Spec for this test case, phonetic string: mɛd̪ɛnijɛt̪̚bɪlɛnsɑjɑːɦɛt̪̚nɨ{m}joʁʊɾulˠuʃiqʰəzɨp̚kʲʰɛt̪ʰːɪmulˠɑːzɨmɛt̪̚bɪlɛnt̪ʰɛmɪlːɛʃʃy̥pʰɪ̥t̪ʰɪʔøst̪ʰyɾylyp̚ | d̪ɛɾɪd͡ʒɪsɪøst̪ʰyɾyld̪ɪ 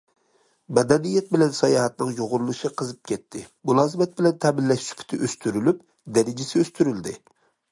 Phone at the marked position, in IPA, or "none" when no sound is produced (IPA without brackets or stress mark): ŋ